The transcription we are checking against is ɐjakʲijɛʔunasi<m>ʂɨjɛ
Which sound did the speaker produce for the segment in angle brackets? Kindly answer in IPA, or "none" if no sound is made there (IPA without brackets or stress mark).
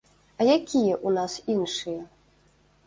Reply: n